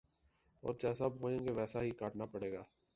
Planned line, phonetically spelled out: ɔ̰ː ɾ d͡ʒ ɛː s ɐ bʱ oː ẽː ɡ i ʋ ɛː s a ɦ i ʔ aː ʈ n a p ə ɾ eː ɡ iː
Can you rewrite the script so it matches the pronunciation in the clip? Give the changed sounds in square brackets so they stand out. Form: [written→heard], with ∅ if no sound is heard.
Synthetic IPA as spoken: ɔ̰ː ɾ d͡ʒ ɛː s [ɐ→a] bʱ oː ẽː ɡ [i→e] ʋ ɛː s a ɦ i [ʔ→k] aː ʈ n a p ə [ɾ→ɽ] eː ɡ [iː→aː]